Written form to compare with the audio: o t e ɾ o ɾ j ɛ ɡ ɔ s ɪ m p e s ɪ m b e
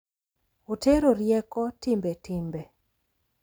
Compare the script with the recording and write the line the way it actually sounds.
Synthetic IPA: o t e ɾ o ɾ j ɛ k ɔ t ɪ m b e t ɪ m b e